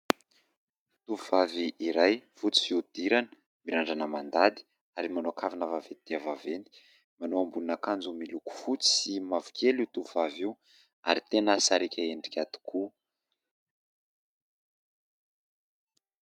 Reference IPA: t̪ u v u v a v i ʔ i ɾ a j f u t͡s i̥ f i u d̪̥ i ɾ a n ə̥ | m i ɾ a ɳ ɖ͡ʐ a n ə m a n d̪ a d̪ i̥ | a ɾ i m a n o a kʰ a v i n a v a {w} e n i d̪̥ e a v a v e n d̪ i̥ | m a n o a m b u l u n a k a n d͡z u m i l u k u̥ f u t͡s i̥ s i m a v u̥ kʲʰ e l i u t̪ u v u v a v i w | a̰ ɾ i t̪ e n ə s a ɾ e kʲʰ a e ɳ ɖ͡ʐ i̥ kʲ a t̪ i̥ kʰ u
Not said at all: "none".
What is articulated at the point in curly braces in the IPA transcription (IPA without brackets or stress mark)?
v